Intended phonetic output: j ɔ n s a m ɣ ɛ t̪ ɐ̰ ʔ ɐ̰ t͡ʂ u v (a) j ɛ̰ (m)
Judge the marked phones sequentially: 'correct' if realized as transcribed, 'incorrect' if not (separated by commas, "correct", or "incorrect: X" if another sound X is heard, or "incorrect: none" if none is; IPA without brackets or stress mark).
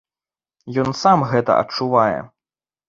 correct, incorrect: none